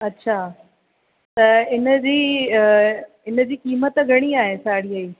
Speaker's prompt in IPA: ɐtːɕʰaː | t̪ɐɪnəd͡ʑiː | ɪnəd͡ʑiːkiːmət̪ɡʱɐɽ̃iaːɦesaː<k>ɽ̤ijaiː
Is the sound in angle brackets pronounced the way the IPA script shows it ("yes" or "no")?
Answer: no